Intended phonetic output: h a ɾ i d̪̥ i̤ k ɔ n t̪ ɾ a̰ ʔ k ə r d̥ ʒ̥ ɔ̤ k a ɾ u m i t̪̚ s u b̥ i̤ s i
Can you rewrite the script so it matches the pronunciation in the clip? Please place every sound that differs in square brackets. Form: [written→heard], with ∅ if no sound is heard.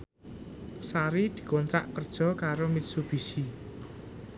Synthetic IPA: [h→s] a ɾ i d̪̥ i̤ k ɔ n t̪ ɾ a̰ ʔ k ə r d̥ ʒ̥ ɔ̤ k a ɾ [u→o] m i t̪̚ s u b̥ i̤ s i